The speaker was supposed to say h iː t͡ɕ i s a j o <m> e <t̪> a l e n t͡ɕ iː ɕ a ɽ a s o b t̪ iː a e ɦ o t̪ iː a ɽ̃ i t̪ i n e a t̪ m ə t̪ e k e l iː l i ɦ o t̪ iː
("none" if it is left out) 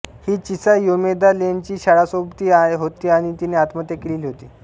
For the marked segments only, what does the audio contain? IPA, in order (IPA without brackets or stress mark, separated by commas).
m, d̪